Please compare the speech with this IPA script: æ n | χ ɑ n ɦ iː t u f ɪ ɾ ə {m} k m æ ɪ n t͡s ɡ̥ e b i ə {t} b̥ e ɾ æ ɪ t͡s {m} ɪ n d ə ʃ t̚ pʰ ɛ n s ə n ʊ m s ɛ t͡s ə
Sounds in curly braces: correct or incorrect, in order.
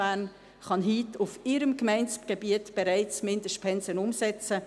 correct, correct, correct

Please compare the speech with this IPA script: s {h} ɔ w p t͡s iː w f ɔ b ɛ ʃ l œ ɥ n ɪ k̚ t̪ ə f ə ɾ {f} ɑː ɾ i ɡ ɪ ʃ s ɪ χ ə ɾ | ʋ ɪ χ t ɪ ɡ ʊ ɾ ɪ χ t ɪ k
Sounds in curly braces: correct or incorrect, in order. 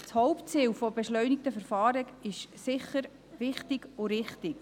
correct, correct

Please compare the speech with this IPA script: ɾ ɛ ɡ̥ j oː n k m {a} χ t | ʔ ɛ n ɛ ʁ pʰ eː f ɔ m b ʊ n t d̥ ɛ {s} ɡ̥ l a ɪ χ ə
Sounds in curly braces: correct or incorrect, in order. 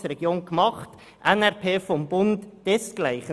incorrect: ɑ, correct

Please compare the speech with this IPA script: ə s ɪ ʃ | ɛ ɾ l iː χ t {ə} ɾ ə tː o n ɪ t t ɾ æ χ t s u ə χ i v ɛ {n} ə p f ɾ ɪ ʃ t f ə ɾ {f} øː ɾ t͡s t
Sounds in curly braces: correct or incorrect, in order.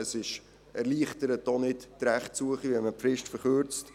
correct, incorrect: m, incorrect: χ

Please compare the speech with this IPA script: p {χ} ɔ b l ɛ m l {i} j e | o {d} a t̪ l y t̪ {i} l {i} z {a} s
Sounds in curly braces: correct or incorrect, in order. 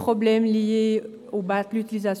correct, correct, incorrect: b, correct, correct, correct

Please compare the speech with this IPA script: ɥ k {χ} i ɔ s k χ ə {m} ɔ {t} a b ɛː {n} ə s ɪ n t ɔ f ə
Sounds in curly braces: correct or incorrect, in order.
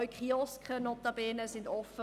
correct, incorrect: n, correct, correct

